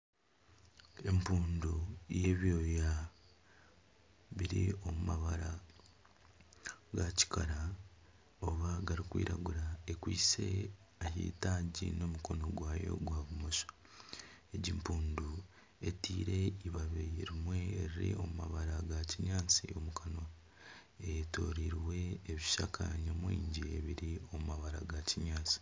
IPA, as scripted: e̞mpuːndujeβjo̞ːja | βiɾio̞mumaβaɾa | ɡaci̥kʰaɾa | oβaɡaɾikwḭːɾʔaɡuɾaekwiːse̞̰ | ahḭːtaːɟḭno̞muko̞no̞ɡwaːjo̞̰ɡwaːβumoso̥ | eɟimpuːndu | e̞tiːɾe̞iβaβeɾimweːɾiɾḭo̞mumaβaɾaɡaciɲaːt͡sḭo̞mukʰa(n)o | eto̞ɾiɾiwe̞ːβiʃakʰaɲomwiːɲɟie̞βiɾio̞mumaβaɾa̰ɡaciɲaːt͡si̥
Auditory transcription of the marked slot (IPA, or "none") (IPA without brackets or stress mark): n